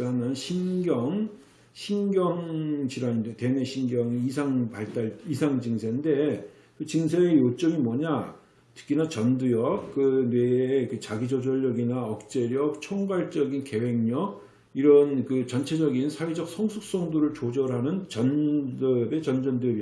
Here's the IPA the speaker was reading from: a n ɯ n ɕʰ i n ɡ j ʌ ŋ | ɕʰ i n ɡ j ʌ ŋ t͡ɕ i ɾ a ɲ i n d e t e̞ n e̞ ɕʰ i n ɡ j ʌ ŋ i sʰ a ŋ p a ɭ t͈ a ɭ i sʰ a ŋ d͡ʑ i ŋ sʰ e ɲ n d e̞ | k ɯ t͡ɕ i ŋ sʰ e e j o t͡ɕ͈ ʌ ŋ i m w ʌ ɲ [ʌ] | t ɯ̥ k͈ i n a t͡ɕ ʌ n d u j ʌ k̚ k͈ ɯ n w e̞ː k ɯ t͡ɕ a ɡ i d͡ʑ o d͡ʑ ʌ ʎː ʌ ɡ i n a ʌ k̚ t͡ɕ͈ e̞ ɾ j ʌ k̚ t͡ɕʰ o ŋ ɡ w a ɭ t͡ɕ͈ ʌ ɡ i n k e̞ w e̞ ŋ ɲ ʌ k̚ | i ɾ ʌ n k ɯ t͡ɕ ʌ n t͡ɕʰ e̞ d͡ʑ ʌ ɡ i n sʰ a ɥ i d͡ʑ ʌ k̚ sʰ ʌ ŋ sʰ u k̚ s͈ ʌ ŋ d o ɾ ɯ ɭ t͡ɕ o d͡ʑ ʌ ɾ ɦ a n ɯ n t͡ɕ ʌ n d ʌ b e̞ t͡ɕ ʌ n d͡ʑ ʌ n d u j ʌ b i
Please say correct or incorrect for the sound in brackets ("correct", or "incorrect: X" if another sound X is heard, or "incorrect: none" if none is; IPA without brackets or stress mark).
incorrect: a